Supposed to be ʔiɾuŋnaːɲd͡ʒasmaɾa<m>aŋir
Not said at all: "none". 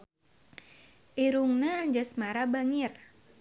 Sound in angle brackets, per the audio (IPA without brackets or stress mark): b